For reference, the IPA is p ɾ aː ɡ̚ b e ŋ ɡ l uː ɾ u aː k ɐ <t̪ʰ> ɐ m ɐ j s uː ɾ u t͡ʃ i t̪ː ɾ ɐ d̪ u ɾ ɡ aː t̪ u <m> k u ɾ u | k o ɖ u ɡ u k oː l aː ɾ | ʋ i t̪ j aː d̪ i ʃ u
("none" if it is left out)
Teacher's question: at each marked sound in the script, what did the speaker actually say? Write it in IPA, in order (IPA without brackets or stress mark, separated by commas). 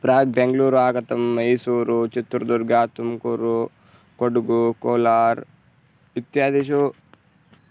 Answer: t̪, m